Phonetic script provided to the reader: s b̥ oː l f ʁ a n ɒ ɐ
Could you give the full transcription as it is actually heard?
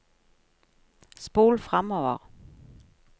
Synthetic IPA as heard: s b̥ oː l f ʁ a m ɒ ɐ